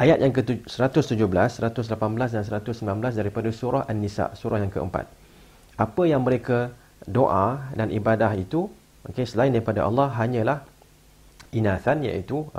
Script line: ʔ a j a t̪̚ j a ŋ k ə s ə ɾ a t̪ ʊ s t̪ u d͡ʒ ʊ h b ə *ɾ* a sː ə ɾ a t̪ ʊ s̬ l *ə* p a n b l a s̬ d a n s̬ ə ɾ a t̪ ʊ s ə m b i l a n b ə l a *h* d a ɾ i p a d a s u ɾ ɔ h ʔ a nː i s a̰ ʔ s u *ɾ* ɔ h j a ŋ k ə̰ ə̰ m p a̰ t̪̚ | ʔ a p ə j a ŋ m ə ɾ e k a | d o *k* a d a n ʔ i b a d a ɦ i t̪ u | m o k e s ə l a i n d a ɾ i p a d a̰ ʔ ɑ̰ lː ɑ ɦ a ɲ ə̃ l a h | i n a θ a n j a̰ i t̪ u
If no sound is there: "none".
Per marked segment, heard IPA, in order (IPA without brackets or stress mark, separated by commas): l, a, s, ɾ, ʔ